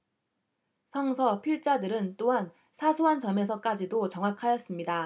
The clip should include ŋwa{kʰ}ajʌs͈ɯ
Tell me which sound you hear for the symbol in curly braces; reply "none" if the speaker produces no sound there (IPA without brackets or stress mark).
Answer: kʰ